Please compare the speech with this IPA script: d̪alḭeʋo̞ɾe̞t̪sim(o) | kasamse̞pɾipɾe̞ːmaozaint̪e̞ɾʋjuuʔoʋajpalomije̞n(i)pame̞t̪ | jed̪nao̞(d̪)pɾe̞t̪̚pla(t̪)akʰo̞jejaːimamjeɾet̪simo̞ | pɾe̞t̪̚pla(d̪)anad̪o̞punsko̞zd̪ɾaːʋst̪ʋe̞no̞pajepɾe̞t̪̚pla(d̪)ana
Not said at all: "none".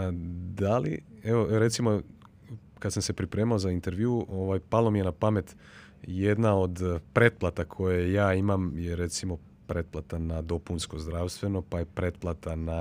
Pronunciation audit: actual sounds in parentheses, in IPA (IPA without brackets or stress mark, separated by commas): o, a, d̪, t̪, t̪, t̪